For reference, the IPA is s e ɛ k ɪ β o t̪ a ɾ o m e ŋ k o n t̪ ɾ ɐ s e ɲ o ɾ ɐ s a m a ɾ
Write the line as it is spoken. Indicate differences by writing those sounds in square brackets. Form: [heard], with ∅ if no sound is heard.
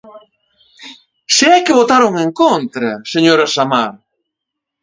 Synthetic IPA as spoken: s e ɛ k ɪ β o t̪ a ɾ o [ŋ] e ŋ k o n t̪ ɾ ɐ s e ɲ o ɾ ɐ s a m a ɾ